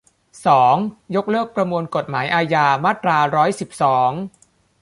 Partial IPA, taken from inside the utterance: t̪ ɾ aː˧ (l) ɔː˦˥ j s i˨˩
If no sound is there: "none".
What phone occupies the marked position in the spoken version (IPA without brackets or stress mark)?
ɾ